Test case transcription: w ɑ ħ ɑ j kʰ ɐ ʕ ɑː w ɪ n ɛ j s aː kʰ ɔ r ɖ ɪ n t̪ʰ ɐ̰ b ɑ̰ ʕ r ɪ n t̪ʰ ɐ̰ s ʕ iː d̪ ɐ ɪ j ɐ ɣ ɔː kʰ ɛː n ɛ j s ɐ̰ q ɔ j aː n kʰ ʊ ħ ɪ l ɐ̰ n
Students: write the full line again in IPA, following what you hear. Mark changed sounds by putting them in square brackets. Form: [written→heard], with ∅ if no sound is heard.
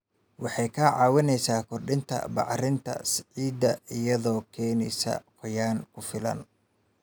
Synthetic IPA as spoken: w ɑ ħ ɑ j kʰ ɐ ʕ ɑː w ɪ n ɛ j s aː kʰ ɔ r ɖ ɪ n t̪ʰ ɐ̰ b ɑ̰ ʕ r ɪ n t̪ʰ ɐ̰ s ʕ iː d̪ ɐ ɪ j ɐ [ɣ→ð] ɔː kʰ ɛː n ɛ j s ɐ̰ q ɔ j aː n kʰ ʊ [ħ→f] ɪ l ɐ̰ n